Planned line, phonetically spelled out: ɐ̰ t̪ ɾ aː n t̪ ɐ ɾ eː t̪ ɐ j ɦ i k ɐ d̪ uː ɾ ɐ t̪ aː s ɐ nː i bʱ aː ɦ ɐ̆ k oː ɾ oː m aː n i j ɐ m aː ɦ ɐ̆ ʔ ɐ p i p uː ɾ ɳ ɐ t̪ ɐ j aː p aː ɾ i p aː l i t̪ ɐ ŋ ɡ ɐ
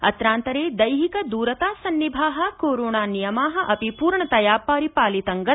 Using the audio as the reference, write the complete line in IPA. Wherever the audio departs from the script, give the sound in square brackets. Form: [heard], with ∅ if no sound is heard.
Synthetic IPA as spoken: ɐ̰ t̪ ɾ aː n t̪ ɐ ɾ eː [d̪] ɐ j ɦ i k ɐ d̪ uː ɾ ɐ t̪ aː s ɐ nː i bʱ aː ɦ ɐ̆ k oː ɾ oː [ɳ] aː n i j ɐ m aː ɦ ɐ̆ ʔ ɐ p i p uː ɾ ɳ ɐ t̪ ɐ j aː p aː ɾ i p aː l i t̪ ɐ ŋ ɡ ɐ